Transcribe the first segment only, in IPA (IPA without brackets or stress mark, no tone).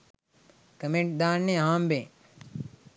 k